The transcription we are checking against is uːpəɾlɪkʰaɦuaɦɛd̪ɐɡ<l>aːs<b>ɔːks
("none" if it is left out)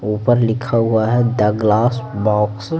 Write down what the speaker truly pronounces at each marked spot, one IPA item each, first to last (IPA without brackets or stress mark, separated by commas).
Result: l, b